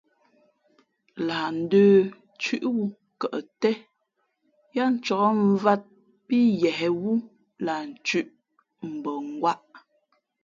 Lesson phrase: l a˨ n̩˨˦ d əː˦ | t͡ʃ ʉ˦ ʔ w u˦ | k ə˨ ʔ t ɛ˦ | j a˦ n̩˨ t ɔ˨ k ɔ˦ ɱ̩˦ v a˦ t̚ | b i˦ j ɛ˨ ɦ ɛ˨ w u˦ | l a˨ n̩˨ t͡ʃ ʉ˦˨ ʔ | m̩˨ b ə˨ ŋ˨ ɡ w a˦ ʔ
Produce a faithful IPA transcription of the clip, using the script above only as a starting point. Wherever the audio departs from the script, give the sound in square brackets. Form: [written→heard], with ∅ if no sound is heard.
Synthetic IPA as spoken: l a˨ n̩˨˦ d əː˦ | t͡ʃ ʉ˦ ʔ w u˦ | k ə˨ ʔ t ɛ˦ | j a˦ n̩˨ [t→t͡ʃ] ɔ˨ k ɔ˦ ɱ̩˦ v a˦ t̚ | [b→p] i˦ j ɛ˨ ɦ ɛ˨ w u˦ | l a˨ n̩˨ t͡ʃ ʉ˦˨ ʔ | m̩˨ b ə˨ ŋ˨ ɡ w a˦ ʔ